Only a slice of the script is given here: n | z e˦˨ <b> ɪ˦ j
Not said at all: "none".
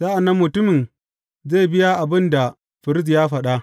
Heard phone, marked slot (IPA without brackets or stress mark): b